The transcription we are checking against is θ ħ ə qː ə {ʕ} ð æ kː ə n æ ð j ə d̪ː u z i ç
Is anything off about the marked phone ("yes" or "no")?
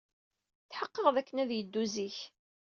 yes